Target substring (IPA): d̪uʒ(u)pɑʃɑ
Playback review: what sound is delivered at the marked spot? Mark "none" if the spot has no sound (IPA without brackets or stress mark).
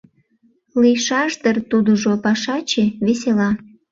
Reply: o